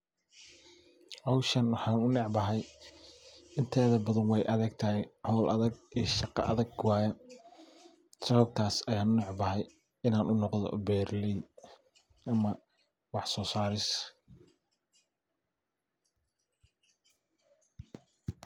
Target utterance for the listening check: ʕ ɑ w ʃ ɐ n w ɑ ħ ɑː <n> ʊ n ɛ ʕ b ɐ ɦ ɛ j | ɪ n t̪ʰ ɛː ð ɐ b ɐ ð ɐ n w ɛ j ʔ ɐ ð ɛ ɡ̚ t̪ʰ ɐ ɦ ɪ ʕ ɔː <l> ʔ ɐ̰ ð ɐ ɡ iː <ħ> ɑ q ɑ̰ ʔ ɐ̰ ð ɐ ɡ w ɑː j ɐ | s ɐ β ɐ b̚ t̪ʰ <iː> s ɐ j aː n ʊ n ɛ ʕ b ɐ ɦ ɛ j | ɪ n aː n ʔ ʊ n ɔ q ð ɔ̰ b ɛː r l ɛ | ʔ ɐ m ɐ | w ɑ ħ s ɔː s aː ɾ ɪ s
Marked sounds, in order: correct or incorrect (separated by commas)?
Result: correct, correct, incorrect, incorrect